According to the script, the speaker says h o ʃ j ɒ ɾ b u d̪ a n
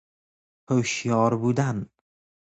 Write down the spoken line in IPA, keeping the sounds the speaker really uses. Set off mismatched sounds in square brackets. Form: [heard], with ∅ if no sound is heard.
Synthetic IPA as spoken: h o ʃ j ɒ ɾ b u d̪ a n